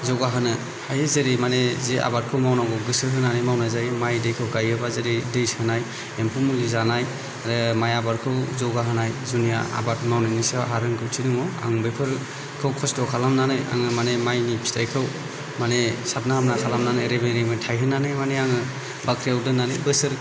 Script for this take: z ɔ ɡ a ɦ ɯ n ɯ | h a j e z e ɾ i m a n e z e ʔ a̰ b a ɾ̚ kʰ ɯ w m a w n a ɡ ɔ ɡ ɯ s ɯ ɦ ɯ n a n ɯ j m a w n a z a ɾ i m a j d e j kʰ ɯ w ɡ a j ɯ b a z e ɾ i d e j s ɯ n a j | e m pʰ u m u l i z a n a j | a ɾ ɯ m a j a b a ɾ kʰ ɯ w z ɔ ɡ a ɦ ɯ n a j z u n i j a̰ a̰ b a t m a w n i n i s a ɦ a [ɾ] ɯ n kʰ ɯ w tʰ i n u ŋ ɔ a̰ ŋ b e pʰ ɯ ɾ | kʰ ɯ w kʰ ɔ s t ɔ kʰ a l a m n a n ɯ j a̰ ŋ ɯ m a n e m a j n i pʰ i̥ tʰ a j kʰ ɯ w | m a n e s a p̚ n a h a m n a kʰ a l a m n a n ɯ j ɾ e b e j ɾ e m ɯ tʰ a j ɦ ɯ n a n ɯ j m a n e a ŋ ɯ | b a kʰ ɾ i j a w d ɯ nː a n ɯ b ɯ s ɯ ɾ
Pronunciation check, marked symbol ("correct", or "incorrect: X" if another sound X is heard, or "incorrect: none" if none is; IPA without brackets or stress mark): correct